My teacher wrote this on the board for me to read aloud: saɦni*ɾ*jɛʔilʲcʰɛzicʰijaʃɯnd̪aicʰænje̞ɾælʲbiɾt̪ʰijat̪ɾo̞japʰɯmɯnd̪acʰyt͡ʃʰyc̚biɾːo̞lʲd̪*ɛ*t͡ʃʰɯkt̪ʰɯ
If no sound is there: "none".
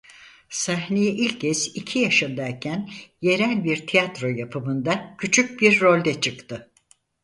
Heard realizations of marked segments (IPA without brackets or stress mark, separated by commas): none, ɛ